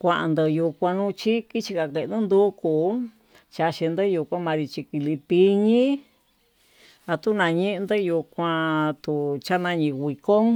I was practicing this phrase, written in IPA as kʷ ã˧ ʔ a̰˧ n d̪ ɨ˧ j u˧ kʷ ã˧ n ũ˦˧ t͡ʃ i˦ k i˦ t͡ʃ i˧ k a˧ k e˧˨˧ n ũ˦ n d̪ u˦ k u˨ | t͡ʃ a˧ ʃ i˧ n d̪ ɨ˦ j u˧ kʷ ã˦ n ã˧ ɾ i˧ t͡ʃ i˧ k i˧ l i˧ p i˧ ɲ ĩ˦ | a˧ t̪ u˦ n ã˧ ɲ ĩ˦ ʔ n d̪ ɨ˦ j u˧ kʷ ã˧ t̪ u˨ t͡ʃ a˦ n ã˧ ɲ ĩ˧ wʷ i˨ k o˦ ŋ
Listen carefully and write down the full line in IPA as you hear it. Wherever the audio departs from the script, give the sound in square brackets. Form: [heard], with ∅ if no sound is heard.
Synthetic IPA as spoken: kʷ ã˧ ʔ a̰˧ n d̪ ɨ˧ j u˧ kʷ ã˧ n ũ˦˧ t͡ʃ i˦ k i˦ t͡ʃ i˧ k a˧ k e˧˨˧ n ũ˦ n d̪ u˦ k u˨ | t͡ʃ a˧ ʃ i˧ n d̪ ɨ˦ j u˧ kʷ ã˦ [m] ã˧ ɾ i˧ t͡ʃ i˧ k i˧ l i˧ p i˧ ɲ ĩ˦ | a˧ t̪ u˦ n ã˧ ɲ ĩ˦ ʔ n d̪ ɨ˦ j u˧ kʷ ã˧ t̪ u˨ t͡ʃ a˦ n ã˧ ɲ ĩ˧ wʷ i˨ k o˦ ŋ

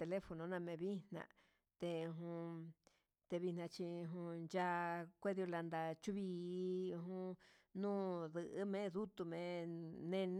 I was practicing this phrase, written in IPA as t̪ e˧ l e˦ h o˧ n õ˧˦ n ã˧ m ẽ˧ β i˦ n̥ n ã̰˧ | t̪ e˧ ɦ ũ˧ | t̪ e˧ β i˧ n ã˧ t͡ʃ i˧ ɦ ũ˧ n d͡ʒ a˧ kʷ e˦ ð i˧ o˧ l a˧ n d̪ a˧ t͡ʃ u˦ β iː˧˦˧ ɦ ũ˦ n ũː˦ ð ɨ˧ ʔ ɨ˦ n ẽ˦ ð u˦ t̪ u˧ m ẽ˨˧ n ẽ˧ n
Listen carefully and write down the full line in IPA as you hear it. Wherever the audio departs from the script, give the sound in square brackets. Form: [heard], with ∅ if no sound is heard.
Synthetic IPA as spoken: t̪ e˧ l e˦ [f] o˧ n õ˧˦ n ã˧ m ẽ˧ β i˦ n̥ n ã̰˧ | t̪ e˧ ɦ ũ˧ | t̪ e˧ β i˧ n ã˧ t͡ʃ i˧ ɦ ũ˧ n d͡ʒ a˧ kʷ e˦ ð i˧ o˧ l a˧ n d̪ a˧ t͡ʃ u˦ β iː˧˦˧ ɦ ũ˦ n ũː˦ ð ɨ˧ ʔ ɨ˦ [m] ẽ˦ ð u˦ t̪ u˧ m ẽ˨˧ n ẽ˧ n

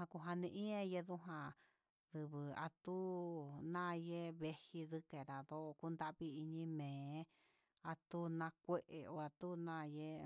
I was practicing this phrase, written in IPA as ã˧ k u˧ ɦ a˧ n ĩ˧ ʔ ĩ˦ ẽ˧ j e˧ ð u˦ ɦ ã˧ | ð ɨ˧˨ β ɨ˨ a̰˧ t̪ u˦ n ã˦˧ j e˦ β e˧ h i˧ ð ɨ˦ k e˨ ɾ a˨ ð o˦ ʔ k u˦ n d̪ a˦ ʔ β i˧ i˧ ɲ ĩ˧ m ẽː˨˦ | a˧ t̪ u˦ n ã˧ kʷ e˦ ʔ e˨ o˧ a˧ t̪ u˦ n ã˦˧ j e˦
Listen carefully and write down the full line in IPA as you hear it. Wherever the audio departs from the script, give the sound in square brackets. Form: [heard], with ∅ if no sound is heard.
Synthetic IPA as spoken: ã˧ k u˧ ɦ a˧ n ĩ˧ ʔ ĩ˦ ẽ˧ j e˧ ð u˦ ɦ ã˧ | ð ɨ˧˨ β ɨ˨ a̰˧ t̪ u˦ n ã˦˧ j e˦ β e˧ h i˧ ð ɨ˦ k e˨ ɾ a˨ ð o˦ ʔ k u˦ n d̪ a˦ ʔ β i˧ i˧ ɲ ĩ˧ m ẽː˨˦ | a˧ t̪ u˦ n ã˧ kʷ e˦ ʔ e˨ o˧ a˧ t̪ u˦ n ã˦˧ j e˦

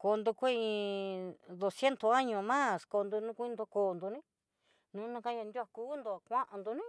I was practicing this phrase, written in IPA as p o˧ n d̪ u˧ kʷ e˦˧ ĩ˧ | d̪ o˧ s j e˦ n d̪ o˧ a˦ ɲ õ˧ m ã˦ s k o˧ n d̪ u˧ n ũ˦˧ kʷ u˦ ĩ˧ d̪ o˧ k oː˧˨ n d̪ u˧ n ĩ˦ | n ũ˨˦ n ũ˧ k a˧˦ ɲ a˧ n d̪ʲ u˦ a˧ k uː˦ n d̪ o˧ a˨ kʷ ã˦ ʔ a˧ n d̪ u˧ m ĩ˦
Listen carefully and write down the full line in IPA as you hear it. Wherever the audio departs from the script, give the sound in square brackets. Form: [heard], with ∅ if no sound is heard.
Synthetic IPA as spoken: [k] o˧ n d̪ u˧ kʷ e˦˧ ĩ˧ | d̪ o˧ s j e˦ n [t̪] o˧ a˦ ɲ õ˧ m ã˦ s k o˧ n d̪ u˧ n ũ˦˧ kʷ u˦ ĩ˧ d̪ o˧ k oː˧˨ n d̪ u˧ n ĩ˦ | n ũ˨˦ n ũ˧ k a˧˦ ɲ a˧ n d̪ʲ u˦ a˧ k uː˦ n d̪ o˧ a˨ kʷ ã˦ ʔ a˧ n d̪ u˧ [n] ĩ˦

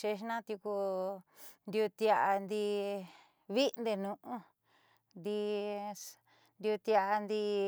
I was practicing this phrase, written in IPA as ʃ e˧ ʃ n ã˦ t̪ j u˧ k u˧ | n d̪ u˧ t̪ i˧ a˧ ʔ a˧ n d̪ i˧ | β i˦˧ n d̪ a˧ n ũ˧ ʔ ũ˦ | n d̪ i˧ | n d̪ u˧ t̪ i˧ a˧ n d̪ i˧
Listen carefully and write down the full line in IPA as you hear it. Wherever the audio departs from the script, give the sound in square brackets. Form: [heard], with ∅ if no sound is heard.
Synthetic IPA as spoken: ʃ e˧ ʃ n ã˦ t̪ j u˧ k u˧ | n d̪ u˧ t̪ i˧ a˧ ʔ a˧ n d̪ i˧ | β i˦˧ n d̪ [e˧] n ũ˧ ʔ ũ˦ | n d̪ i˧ | n d̪ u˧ t̪ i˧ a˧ n d̪ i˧

